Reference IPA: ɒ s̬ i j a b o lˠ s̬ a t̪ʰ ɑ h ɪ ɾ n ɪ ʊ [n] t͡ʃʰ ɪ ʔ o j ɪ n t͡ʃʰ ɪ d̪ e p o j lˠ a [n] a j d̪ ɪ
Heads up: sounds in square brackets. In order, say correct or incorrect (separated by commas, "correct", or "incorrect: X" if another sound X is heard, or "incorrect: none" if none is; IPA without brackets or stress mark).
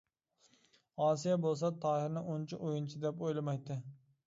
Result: correct, incorrect: m